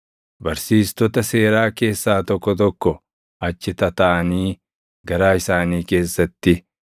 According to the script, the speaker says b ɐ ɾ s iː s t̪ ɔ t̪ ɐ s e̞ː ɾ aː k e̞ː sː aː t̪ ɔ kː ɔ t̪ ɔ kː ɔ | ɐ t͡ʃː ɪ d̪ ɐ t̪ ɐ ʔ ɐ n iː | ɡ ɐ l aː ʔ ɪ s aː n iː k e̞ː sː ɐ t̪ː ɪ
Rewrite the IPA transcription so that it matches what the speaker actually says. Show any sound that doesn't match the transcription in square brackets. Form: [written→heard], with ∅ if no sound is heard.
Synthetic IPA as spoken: b ɐ ɾ s iː s t̪ ɔ t̪ ɐ s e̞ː ɾ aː k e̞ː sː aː t̪ ɔ kː ɔ t̪ ɔ kː ɔ | ɐ t͡ʃː ɪ [d̪→t̪] ɐ t̪ ɐ ʔ ɐ n iː | ɡ ɐ [l→ɾ] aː [ʔ→∅] ɪ s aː n iː k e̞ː sː ɐ t̪ː ɪ

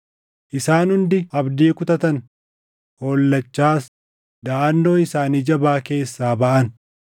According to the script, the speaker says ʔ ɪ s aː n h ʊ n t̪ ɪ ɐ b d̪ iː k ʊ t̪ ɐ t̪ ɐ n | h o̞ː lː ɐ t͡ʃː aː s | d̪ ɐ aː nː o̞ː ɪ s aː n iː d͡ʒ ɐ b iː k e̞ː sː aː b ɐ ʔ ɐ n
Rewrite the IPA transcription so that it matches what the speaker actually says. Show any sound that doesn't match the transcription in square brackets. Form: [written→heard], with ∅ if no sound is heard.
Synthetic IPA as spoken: ʔ ɪ s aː n h ʊ n [t̪→d̪] ɪ ɐ b d̪ iː k ʊ t̪ ɐ t̪ ɐ n | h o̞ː lː ɐ t͡ʃː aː s | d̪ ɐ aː nː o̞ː ɪ s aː n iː d͡ʒ ɐ b [iː→aː] k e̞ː sː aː b ɐ ʔ ɐ n

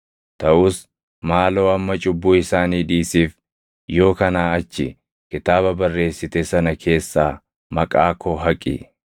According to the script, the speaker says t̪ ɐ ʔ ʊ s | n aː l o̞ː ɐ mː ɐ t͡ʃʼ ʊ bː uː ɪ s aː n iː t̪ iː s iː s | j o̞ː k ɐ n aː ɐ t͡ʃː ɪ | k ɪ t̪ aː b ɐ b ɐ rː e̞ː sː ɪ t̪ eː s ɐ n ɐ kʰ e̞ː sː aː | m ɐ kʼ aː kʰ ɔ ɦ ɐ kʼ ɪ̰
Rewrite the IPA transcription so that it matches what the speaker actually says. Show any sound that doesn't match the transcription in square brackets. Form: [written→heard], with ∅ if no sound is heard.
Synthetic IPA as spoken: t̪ ɐ ʔ ʊ s | [n→m] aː l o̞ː ɐ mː ɐ t͡ʃʼ ʊ bː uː ɪ s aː n iː [t̪→d̪] iː s iː [s→f] | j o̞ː k ɐ n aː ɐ t͡ʃː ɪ | k ɪ t̪ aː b ɐ b ɐ rː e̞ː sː ɪ t̪ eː s ɐ n ɐ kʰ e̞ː sː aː | m ɐ kʼ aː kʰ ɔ ɦ ɐ kʼ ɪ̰

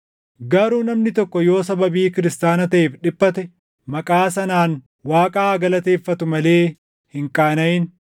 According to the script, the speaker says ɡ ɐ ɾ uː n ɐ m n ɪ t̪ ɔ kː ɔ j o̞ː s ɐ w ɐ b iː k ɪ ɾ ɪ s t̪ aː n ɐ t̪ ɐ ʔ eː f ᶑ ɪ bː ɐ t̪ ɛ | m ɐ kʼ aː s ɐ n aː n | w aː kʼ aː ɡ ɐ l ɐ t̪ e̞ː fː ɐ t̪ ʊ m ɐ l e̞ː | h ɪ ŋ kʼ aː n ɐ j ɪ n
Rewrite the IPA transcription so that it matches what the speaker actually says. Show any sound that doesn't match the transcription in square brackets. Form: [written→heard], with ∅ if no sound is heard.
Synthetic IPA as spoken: ɡ ɐ ɾ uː n ɐ m n ɪ t̪ ɔ kː ɔ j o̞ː s ɐ [w→b] ɐ b iː k ɪ ɾ ɪ s t̪ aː n ɐ t̪ ɐ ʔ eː f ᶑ ɪ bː ɐ t̪ ɛ | m ɐ kʼ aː s ɐ n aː n | w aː kʼ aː ɡ ɐ l ɐ t̪ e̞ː fː ɐ t̪ ʊ m ɐ l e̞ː | h ɪ ŋ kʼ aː n ɐ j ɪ n

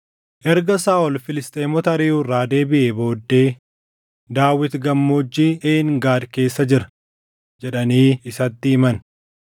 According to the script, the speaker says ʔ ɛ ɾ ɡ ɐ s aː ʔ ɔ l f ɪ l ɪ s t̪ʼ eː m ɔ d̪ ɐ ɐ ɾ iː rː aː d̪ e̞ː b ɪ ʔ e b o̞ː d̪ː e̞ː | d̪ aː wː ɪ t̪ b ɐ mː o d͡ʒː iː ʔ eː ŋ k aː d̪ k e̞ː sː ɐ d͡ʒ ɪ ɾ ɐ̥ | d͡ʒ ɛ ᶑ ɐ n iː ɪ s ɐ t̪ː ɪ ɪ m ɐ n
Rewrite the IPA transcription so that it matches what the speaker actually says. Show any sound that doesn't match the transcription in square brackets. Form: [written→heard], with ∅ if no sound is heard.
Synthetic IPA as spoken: ʔ ɛ ɾ ɡ ɐ s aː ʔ ɔ l f ɪ l ɪ s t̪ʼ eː m ɔ [d̪→t̪] ɐ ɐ ɾ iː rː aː d̪ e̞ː b ɪ ʔ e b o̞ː d̪ː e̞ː | d̪ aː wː ɪ t̪ [b→ɡ] ɐ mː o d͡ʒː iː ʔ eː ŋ [k→ɡ] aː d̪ k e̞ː sː ɐ d͡ʒ ɪ ɾ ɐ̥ | d͡ʒ ɛ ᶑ ɐ n iː ɪ s ɐ t̪ː ɪ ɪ m ɐ n

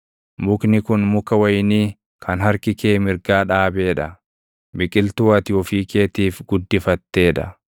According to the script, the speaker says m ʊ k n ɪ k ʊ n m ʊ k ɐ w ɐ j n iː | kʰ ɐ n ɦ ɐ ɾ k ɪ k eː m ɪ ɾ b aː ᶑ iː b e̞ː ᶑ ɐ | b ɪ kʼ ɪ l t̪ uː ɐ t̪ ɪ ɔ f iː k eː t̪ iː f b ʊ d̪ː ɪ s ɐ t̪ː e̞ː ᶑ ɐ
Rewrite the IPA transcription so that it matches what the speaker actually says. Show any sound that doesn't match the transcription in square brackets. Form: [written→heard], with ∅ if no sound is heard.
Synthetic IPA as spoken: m ʊ k n ɪ k ʊ n m ʊ k ɐ w ɐ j n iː | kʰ ɐ n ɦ ɐ ɾ k ɪ k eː m ɪ ɾ [b→ɡ] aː ᶑ [iː→aː] b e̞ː ᶑ ɐ | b ɪ kʼ ɪ l t̪ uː ɐ t̪ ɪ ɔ f iː k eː t̪ iː f [b→ɡ] ʊ d̪ː ɪ [s→f] ɐ t̪ː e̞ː ᶑ ɐ

